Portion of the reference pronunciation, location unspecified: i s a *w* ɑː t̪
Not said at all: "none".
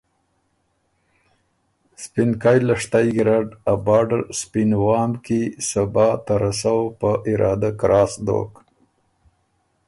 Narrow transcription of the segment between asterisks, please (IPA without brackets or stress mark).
b